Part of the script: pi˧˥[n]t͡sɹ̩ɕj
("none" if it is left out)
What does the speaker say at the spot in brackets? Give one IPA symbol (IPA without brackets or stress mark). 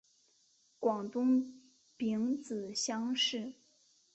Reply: ŋ